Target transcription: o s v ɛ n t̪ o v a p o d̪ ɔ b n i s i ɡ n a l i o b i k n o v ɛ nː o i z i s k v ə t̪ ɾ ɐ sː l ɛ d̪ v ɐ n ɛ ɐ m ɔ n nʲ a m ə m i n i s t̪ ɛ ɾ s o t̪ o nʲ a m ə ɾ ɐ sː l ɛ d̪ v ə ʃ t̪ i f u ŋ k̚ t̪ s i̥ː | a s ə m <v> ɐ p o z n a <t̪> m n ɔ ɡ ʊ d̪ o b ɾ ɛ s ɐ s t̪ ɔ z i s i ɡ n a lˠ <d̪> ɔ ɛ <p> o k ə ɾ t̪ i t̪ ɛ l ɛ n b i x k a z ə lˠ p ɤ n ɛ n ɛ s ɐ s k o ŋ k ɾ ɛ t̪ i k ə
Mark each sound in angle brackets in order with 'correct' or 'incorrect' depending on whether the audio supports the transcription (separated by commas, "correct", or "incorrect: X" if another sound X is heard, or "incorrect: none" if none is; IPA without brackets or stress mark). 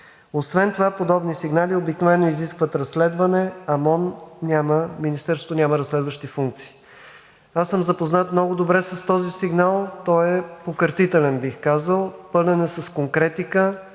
incorrect: z, correct, incorrect: t̪, correct